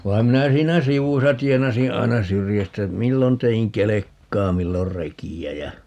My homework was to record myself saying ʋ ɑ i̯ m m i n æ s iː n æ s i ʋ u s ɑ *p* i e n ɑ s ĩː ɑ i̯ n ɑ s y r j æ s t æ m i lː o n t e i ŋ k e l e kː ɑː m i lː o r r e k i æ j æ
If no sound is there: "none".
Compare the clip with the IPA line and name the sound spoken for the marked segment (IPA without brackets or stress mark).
t